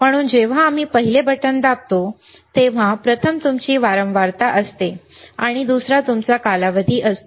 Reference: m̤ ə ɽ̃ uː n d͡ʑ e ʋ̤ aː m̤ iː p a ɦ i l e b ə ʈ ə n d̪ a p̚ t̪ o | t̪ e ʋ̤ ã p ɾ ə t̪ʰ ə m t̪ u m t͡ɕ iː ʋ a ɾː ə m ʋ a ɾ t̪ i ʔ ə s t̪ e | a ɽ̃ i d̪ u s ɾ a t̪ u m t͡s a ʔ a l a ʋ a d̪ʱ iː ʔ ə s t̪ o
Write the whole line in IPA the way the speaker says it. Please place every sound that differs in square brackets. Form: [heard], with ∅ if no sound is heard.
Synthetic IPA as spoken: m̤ ə ɽ̃ uː n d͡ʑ e ʋ̤ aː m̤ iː p [ə] ɦ i l e b ə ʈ ə n d̪ a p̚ t̪ o | t̪ e ʋ̤ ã p ɾ ə t̪ʰ ə m t̪ u m t͡ɕ iː ʋ a [ɾ] ə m ʋ a ɾ t̪ [a] ʔ ə s t̪ e | a ɽ̃ i d̪ u s ɾ a t̪ u m t͡s a [k] a l a ʋ [ə] d̪ʱ iː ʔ ə s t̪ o

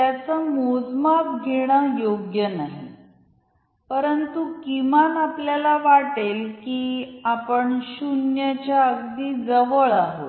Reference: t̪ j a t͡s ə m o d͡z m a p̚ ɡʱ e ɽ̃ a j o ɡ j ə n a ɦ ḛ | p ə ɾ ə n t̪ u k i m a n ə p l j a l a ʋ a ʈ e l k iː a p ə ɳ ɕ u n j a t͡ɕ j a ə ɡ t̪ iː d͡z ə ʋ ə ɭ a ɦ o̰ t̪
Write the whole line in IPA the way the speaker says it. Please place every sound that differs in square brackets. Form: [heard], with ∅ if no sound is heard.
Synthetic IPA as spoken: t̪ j a t͡s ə m o d͡z m a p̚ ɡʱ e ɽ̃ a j o ɡ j ə n a ɦ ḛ | p ə ɾ ə n t̪ u k i m a n [a] p l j a l a ʋ a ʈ e l k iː a p ə ɳ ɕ u n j a t͡ɕ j a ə ɡ [d̪] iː d͡z ə ʋ ə ɭ a ɦ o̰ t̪

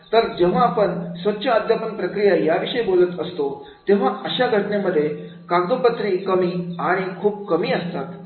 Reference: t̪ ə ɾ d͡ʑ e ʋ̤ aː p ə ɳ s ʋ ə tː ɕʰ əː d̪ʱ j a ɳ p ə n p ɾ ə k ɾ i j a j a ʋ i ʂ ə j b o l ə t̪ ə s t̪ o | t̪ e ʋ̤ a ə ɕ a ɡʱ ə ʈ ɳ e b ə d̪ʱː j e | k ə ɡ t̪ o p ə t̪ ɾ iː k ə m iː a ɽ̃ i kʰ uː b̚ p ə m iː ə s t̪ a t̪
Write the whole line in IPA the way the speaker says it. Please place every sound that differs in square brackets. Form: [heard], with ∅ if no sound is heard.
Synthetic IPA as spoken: t̪ ə ɾ d͡ʑ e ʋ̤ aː p ə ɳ s ʋ ə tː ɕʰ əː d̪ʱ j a [∅] p ə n p ɾ ə k ɾ i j a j a ʋ i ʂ ə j b o l ə t̪ ə s t̪ o | t̪ e ʋ̤ a ə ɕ a ɡʱ ə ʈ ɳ e [m] ə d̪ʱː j e | k [a] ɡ [d̪] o p ə t̪ ɾ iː k ə m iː a ɽ̃ i kʰ uː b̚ [k] ə m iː ə s t̪ a t̪

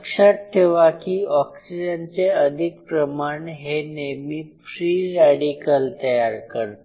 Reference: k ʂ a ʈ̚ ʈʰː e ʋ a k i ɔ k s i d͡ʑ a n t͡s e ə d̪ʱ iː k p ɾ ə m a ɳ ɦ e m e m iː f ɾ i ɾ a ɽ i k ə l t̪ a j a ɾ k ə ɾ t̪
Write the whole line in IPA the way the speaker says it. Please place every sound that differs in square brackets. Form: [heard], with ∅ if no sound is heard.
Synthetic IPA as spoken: k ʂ a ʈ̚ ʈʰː e ʋ a k i ɔ k s i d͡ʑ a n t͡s e ə d̪ʱ [i] k p ɾ ə m a ɳ ɦ e [n] e m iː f ɾ i ɾ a ɽ i k ə l t̪ [ə] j a ɾ k ə ɾ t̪

